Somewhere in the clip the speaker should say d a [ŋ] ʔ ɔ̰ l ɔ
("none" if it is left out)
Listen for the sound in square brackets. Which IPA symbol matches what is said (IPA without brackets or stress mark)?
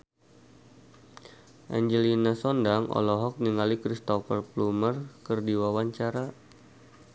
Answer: ŋ